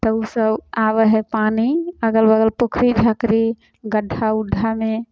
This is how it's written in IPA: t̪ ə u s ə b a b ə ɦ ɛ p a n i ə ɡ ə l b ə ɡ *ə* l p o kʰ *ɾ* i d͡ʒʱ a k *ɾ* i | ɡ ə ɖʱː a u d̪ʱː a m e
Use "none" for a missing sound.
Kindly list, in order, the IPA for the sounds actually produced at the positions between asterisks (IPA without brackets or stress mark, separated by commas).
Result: ə, ɾ, ɾ